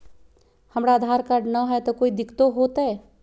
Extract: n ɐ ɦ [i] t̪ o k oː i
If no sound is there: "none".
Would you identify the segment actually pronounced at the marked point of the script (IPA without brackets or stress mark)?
ɛ